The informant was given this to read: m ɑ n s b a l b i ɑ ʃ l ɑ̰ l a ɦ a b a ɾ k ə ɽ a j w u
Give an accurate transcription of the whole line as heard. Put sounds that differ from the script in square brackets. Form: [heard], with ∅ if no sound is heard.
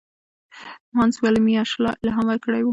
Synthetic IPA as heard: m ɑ n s [w] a l [m] i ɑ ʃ l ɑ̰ l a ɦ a [m] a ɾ k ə ɽ a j w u